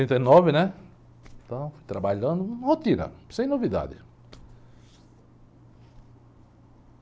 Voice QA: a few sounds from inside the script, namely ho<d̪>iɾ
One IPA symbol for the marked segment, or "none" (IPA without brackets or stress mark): t̪